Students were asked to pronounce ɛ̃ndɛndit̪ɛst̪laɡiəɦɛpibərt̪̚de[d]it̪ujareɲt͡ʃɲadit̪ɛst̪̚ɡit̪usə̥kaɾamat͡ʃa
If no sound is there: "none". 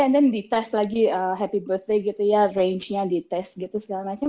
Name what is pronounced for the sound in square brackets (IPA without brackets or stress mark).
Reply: ɡ